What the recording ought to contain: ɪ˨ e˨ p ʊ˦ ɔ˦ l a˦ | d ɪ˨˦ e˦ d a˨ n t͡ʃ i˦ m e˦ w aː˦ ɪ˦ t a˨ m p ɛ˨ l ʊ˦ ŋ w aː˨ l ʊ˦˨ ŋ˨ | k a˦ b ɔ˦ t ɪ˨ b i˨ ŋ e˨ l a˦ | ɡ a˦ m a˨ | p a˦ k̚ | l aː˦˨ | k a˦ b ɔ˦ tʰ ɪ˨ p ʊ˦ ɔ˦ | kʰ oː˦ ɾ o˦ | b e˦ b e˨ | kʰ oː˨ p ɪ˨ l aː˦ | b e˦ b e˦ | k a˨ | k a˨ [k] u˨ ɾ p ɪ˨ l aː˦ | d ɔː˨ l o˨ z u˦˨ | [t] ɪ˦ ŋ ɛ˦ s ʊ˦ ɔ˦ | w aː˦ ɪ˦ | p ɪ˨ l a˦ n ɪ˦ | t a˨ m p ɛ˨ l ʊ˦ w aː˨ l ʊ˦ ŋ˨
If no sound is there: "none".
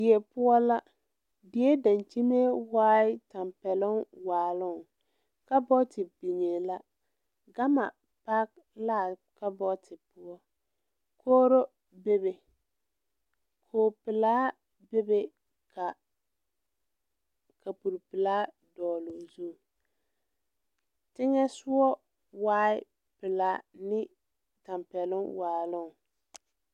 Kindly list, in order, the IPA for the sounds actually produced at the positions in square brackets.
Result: p, t

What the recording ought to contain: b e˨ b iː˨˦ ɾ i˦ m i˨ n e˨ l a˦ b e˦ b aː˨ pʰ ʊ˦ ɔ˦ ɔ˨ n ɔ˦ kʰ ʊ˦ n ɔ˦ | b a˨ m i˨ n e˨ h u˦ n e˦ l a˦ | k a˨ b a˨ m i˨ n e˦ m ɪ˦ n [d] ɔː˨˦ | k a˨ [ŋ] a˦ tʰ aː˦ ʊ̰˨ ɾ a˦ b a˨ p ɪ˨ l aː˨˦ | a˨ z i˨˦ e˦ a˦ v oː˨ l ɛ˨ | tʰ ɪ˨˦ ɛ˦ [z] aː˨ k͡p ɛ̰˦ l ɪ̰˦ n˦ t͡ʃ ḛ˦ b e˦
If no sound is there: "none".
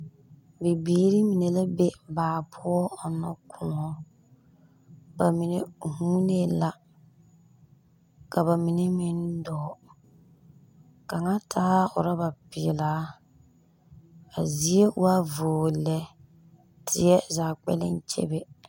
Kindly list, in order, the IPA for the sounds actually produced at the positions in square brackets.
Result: d, ŋ, z

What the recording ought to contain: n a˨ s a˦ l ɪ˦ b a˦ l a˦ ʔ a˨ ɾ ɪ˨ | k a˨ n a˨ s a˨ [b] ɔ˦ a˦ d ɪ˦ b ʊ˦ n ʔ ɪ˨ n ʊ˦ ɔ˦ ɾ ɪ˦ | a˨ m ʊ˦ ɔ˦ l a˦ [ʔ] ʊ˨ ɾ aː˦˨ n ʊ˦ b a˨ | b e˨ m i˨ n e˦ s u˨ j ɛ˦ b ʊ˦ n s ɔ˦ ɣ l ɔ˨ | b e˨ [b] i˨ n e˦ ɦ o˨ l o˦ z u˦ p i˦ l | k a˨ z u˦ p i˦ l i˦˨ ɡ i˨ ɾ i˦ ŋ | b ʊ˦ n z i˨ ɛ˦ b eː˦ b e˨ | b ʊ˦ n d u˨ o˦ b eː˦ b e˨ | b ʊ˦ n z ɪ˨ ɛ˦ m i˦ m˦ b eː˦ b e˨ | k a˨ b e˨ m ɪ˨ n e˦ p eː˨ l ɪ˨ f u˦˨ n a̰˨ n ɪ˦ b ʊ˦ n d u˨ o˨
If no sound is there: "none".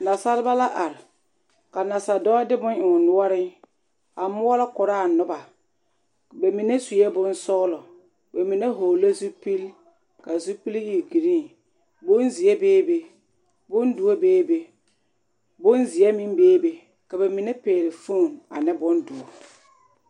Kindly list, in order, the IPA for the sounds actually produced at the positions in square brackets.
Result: d, k, m

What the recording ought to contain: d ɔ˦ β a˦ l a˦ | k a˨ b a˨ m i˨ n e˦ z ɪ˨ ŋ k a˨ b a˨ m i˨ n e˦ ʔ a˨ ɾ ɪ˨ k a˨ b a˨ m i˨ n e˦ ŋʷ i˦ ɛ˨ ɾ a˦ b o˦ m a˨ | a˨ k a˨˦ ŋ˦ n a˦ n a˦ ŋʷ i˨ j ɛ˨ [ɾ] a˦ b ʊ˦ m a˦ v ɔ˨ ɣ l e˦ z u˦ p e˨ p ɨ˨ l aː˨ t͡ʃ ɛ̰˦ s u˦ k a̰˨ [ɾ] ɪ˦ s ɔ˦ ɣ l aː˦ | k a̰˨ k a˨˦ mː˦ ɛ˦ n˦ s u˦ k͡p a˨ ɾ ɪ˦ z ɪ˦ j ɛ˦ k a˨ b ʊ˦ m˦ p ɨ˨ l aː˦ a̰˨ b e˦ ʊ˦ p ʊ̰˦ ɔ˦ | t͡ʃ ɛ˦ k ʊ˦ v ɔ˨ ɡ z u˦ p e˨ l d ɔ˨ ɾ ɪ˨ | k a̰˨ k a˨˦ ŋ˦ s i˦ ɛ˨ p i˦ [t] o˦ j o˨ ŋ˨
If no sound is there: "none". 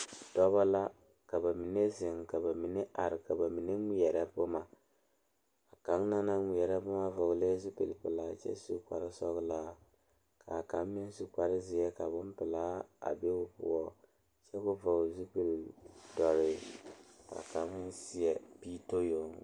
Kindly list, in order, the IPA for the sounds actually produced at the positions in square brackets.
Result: ɾ, ɾ, t

